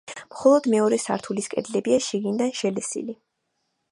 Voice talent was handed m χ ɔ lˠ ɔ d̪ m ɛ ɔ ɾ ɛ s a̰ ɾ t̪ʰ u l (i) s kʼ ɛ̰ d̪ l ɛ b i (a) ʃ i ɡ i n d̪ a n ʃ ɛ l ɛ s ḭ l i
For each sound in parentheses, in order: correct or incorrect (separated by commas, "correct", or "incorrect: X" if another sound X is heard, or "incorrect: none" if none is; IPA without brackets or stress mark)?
correct, correct